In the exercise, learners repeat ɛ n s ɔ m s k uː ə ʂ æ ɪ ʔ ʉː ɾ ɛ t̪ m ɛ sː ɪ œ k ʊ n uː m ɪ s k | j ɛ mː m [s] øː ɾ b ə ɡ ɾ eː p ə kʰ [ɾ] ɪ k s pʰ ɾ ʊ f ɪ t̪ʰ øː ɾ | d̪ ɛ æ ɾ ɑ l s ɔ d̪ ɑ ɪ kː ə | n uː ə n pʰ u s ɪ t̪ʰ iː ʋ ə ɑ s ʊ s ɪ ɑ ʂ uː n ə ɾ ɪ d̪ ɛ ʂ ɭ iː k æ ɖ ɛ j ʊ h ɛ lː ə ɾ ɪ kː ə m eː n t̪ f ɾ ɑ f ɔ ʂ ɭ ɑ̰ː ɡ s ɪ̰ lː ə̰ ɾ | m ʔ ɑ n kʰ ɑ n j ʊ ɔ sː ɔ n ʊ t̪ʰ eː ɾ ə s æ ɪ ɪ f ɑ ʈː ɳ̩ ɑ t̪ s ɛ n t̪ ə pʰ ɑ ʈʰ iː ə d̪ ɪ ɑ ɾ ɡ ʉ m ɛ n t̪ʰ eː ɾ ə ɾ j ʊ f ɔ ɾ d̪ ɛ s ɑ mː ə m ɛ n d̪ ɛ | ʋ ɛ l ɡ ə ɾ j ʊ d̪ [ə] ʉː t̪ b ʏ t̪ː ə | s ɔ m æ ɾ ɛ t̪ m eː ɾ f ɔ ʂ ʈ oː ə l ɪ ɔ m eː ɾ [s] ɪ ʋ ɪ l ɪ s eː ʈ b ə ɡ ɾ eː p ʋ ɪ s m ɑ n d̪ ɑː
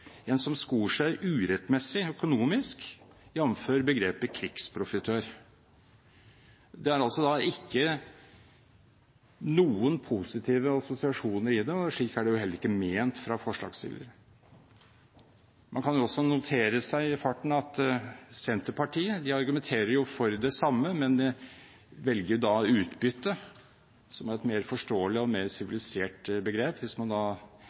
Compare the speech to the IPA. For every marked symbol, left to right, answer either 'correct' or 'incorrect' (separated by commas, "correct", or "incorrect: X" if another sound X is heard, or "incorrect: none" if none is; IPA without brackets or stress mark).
incorrect: f, correct, incorrect: ɑ, correct